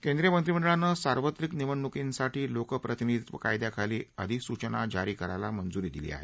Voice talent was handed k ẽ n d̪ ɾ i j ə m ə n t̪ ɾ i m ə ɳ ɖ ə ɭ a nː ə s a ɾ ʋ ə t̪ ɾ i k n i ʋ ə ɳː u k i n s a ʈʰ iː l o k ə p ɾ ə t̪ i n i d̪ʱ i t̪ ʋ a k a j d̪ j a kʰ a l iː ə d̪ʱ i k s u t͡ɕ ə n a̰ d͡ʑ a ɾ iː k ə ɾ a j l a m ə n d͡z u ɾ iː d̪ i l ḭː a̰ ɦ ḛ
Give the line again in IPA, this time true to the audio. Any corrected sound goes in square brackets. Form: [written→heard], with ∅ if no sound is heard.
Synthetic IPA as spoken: k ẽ n d̪ ɾ i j ə m ə n t̪ ɾ i m ə ɳ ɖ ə ɭ a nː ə s a ɾ ʋ ə t̪ ɾ i k n i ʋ ə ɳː u k i n s a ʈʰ iː l o k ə p ɾ ə t̪ i n i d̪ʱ i t̪ ʋ [a→ə] k a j d̪ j a kʰ a l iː ə d̪ʱ i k s u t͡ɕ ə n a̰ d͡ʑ a ɾ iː k ə ɾ a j l a m ə n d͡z u ɾ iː d̪ i l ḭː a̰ ɦ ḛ